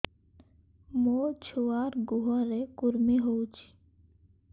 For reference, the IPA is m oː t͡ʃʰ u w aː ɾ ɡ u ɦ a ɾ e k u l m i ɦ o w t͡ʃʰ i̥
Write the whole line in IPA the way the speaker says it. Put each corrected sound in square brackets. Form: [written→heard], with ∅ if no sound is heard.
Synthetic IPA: m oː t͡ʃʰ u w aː ɾ ɡ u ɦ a ɾ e k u [l→ɾ] m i ɦ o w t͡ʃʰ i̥